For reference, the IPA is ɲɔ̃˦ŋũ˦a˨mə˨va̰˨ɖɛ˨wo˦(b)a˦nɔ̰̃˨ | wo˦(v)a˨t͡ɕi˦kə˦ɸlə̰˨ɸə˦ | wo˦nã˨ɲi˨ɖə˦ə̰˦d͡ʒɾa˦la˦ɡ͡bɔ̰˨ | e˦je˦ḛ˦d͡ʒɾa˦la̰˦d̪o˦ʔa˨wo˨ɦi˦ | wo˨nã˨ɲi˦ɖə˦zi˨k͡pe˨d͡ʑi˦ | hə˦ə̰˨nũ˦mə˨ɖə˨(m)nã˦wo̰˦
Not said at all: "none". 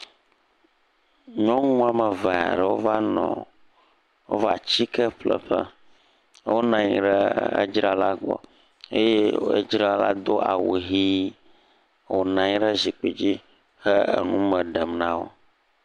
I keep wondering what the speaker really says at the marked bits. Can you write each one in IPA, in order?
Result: v, v, m

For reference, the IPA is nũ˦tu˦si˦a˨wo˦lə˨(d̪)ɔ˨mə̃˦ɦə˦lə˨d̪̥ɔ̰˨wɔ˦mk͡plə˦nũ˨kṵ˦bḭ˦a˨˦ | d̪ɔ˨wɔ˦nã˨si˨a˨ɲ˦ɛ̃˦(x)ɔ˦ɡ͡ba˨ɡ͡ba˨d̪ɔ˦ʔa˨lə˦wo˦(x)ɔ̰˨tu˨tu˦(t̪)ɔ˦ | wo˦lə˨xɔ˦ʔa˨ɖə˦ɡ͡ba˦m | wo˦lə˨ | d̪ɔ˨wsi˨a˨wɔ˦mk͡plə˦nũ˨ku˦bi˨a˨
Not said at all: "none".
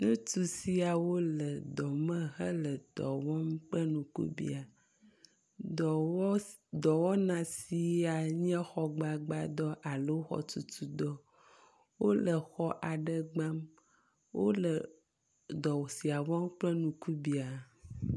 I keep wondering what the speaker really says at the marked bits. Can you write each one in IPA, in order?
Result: d̪, x, x, d̪

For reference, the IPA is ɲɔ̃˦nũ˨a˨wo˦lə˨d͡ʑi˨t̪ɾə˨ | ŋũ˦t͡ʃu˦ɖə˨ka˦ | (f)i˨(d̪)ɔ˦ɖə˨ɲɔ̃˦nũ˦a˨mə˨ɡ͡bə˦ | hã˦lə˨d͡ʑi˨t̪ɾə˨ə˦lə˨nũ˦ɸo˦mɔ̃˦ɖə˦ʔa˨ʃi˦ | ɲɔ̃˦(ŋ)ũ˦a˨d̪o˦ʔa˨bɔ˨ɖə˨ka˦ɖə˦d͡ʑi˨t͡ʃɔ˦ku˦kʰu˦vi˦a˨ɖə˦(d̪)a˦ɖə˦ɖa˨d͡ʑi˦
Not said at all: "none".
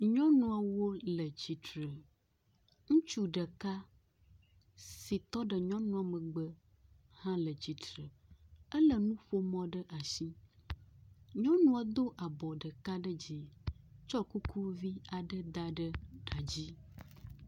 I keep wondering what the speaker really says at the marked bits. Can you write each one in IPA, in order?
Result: s, t̪, n, d̪

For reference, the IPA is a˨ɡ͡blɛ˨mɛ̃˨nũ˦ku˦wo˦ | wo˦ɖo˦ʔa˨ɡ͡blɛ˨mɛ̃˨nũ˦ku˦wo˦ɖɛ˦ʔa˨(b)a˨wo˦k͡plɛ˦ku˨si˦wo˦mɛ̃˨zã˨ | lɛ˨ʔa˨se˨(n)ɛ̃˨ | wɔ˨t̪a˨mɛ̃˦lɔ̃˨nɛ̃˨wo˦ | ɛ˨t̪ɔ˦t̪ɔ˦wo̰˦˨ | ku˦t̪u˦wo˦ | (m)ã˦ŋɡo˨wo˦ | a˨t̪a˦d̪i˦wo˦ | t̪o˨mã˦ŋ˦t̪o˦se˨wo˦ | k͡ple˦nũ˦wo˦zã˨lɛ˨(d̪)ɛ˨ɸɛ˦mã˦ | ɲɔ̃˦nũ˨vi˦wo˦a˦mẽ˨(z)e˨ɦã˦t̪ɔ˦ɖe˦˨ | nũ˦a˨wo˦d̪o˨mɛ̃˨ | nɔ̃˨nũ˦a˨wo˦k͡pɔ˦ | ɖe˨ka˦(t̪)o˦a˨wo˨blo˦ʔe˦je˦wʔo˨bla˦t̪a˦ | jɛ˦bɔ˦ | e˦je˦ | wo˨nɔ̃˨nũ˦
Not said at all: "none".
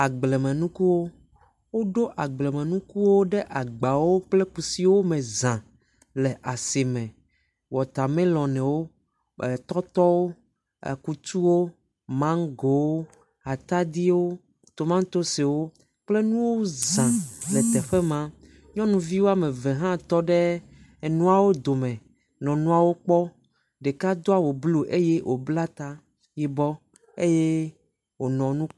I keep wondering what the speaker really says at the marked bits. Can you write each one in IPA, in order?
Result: ɡ͡b, m, m, t̪, v, d̪

